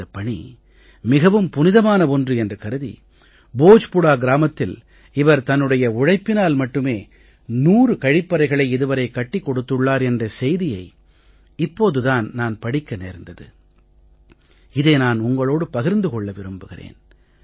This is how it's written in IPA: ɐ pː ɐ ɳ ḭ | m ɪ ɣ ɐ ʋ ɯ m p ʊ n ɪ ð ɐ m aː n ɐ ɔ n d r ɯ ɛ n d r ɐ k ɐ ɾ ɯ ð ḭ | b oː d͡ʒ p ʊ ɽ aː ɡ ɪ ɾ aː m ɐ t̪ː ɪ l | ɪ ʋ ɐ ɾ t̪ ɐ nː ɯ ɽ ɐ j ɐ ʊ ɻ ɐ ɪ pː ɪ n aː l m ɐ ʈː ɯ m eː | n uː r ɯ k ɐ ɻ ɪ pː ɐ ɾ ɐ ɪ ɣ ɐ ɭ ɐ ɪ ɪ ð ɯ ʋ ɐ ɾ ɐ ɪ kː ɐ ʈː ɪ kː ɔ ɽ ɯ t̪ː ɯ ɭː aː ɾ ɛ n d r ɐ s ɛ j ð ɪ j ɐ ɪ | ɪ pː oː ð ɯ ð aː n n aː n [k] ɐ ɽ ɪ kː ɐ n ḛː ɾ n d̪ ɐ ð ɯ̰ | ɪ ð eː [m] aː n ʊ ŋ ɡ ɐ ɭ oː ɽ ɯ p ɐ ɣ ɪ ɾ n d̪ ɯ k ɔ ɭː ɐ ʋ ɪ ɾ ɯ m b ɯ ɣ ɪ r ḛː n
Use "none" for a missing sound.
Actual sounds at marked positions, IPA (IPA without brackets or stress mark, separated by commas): p, n